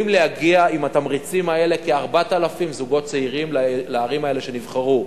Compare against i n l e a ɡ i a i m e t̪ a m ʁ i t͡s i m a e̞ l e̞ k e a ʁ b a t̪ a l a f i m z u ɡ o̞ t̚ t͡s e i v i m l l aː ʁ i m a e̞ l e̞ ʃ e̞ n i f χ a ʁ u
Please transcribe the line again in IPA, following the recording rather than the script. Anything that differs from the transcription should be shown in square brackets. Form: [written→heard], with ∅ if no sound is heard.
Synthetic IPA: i [n→m] l e a ɡ i a i m [e→a] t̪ a m ʁ i t͡s i m a e̞ l e̞ k e a ʁ b a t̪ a l a f i m z u ɡ o̞ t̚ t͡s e i [v→ʁ] i m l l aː ʁ i m a e̞ l e̞ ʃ e̞ n i [f→v] χ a ʁ u